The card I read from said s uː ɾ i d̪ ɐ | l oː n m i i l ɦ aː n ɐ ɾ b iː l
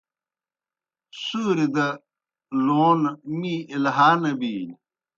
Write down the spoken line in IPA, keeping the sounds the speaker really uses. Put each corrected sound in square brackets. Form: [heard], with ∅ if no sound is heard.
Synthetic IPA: s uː ɾ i d̪ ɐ | l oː n m i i l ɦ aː n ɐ [∅] b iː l